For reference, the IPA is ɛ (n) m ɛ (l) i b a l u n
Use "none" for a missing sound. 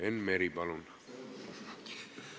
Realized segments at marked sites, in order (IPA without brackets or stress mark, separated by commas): n, ɾ